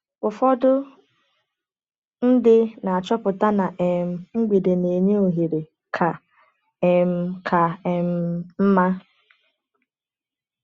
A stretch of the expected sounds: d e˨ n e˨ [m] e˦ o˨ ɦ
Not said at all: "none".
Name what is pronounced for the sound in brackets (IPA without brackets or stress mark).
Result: ɲ